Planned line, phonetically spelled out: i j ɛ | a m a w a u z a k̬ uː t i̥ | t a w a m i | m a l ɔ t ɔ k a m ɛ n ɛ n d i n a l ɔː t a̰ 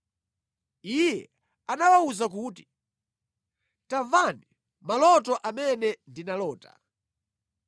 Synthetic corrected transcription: i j ɛ | a n a w a u z a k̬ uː t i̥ | t a v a n i | m a l ɔ t ɔ ʔ a m ɛ n ɛ n d i n a l ɔː t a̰